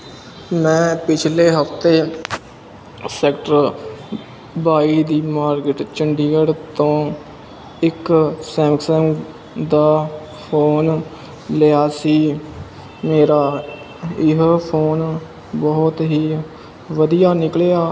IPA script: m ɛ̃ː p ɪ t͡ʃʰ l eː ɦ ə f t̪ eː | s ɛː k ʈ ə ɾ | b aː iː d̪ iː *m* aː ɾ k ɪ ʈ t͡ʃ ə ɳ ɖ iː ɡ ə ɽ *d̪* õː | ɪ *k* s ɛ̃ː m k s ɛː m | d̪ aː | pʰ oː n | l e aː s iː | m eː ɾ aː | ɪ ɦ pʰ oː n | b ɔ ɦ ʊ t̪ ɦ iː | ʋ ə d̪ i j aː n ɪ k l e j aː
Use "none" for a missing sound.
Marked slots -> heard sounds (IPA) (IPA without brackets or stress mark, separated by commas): m, t̪, k